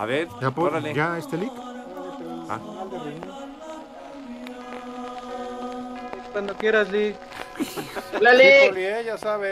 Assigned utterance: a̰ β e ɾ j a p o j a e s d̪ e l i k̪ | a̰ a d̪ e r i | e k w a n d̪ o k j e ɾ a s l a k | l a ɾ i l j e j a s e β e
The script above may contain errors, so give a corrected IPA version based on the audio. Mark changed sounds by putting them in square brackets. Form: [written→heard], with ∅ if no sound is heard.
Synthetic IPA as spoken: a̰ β e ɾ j a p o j a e s [d̪→t̪] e l i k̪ | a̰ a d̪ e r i | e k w a n d̪ o k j e ɾ a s l [a→i] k | l a [ɾ→l] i l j e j a s [e→a] β e